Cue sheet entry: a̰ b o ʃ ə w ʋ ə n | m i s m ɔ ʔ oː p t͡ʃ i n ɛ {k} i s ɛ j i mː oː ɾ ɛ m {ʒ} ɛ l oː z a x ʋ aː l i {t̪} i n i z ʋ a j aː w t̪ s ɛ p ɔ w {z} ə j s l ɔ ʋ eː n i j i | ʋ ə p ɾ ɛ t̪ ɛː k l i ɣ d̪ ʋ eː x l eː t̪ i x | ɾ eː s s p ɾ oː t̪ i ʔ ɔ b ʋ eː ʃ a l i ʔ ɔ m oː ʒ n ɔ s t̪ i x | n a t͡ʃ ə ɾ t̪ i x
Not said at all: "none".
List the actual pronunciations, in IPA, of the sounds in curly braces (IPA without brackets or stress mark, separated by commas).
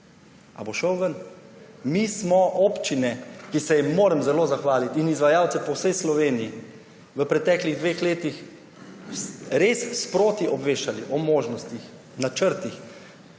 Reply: k, z, t̪, s